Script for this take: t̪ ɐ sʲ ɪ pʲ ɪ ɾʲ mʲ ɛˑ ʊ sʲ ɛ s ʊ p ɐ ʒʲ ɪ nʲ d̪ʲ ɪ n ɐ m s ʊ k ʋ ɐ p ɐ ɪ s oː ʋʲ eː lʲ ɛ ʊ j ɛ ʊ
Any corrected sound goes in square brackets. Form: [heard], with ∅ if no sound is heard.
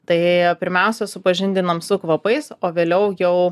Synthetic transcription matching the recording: t̪ ɐ [∅] ɪ pʲ ɪ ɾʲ mʲ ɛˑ ʊ sʲ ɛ s ʊ p ɐ ʒʲ ɪ nʲ d̪ʲ ɪ n ɐ m s ʊ k ʋ ɐ p ɐ ɪ s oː ʋʲ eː lʲ ɛ ʊ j ɛ ʊ